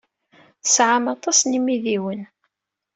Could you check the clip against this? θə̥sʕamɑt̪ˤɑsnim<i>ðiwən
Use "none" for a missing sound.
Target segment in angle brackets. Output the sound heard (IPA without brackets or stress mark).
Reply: i